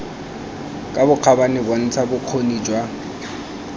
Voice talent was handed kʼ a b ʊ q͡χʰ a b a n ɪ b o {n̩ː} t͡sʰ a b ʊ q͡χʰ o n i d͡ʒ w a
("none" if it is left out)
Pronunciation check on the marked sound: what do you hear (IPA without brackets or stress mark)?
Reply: n̩